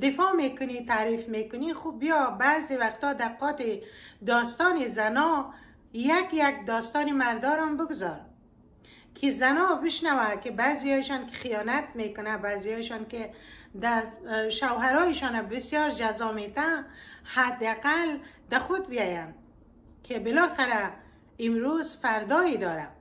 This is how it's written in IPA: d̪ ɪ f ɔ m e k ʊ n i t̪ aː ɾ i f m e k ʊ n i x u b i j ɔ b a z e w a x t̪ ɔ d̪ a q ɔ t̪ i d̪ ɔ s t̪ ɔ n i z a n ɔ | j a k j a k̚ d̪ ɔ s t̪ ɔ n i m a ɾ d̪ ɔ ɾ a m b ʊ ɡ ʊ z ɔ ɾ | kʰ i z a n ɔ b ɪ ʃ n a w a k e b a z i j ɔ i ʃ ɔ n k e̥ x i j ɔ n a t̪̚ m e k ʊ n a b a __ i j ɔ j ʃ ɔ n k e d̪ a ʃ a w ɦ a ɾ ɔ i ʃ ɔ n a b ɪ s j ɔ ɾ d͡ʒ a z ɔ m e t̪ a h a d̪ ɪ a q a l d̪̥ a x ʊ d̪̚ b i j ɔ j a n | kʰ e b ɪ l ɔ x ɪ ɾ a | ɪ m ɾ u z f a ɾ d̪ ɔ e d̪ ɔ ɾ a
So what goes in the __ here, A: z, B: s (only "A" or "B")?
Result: A